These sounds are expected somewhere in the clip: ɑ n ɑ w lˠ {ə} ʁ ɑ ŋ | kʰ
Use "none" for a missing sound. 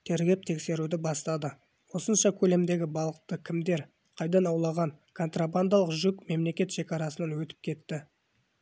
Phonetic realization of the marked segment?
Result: ɑ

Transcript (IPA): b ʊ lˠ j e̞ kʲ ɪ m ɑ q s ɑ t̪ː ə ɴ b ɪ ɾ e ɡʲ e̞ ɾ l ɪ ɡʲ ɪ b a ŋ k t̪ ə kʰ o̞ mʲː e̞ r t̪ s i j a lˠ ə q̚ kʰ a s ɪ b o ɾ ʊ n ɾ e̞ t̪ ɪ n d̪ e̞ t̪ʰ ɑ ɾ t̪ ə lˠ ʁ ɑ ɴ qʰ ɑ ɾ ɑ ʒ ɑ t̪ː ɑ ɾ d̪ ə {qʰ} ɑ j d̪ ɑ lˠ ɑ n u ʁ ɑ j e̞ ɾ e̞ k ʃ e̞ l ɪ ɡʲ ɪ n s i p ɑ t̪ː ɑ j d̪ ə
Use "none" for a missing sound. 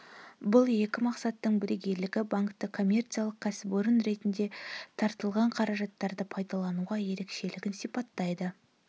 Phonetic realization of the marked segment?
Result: pʰ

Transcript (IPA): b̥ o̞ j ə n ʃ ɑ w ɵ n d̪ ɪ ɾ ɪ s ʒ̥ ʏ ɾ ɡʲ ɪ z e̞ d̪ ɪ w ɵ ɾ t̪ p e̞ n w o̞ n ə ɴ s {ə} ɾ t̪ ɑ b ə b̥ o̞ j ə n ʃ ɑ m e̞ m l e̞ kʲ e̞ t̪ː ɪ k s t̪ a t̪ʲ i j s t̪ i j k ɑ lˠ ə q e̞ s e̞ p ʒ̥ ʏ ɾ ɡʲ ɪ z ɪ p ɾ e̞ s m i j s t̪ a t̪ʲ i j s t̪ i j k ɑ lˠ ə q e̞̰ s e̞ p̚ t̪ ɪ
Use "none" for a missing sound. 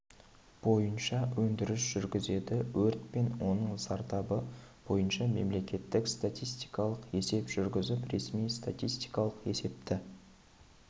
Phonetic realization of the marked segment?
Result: ɑ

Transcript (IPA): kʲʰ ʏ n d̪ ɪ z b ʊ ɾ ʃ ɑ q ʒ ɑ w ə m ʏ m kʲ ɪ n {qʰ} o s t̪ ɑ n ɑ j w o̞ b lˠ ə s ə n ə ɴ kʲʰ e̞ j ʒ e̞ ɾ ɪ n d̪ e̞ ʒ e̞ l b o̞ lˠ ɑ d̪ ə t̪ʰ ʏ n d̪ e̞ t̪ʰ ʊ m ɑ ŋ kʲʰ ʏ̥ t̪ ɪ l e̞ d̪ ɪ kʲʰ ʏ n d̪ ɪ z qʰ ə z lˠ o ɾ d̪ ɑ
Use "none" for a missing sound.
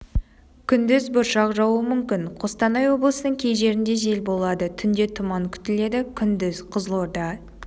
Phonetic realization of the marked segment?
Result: qʰ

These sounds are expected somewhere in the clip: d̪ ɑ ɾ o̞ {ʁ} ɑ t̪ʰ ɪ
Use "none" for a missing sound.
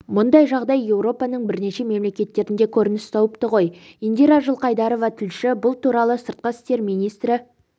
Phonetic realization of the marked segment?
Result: v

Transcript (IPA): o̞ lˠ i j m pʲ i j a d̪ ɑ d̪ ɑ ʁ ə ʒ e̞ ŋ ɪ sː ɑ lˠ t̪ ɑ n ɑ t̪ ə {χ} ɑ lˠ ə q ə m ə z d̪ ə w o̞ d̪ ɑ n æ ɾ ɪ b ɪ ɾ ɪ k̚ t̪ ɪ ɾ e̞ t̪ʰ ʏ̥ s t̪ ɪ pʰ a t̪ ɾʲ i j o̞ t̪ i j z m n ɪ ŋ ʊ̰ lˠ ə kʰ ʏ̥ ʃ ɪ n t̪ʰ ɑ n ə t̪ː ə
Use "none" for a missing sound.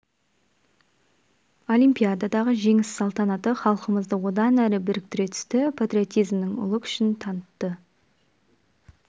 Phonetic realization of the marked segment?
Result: χ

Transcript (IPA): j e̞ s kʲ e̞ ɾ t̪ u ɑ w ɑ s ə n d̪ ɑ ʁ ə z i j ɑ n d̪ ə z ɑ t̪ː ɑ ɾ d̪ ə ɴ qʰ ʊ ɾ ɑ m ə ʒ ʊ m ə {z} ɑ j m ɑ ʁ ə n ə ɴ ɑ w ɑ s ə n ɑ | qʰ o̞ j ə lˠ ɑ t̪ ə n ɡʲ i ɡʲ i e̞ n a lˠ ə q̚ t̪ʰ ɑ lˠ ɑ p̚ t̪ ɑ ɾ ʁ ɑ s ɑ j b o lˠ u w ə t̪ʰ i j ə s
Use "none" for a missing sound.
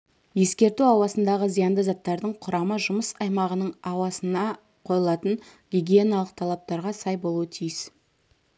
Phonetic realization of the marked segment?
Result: s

